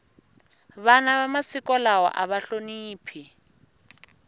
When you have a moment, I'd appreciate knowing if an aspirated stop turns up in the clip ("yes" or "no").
yes